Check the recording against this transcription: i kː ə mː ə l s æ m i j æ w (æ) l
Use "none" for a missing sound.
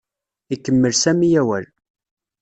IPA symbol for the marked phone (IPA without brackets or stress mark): æ